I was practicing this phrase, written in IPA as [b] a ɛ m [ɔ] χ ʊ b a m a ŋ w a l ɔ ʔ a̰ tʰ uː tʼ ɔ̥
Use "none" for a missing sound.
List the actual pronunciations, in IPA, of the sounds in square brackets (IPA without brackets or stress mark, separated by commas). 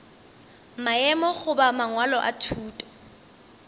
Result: m, ɔ